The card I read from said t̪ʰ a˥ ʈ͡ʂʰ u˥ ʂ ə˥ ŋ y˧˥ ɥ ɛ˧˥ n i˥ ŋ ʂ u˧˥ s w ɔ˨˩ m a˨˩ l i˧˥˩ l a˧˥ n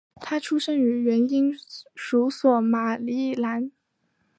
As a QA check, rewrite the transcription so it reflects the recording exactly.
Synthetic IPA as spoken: t̪ʰ a˥ ʈ͡ʂʰ u˥ ʂ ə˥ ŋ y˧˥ ɥ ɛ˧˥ n i˥ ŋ ʂ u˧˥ s w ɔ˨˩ m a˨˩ l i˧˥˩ l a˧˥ n